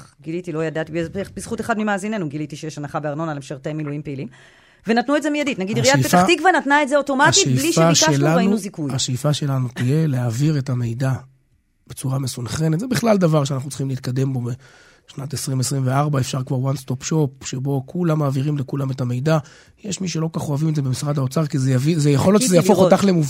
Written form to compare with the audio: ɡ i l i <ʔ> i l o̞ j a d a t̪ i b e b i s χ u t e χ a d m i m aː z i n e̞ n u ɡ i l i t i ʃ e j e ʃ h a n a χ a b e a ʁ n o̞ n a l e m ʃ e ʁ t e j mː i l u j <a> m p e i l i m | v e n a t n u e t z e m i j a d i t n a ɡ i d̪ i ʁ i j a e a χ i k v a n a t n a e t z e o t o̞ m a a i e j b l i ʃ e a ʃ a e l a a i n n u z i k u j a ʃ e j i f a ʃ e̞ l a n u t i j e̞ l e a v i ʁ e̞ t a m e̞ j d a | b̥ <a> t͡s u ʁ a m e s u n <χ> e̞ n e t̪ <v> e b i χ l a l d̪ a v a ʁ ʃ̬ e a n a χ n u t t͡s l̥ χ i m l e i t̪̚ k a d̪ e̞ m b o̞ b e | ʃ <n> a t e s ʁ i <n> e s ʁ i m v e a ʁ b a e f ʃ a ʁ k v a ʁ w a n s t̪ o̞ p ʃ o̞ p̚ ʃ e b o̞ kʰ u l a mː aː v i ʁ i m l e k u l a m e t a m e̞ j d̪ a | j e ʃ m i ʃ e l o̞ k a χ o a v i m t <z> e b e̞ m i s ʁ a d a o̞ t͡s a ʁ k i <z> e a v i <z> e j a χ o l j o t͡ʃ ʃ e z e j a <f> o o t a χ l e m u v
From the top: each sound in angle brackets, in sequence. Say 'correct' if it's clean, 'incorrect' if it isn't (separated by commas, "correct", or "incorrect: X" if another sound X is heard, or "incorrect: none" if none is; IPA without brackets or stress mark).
incorrect: t, incorrect: i, incorrect: e, correct, incorrect: z, correct, incorrect: m, correct, correct, correct, correct